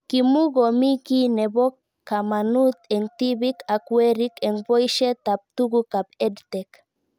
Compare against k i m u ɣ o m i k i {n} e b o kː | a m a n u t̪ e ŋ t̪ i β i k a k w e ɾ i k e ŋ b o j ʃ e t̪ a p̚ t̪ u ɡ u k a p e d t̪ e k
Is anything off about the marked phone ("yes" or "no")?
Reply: no